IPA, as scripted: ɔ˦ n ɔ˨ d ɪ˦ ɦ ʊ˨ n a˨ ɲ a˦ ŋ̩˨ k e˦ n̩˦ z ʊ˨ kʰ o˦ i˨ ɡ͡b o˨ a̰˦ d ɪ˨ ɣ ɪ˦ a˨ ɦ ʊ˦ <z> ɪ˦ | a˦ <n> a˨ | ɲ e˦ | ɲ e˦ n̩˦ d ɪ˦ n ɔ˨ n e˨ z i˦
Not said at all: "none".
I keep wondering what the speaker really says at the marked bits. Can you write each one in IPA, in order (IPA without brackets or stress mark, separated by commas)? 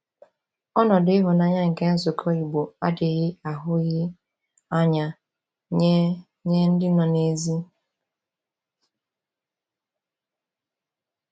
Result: ɣ, ɲ